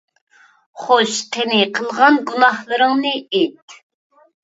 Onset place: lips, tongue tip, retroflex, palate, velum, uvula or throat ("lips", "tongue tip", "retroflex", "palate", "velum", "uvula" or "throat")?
uvula